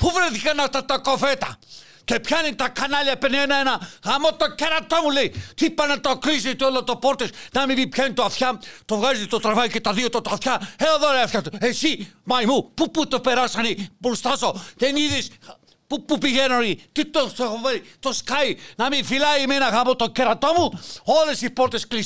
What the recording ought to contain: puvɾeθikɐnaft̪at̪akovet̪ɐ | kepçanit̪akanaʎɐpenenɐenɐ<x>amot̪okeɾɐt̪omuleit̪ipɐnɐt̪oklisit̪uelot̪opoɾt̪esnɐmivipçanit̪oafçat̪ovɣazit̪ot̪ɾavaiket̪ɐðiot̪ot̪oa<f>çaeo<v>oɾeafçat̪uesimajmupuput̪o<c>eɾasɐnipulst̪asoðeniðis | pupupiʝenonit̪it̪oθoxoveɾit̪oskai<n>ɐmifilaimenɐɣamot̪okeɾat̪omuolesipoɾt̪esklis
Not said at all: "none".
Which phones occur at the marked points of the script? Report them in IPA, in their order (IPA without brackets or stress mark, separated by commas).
ɣ, f, ð, p, n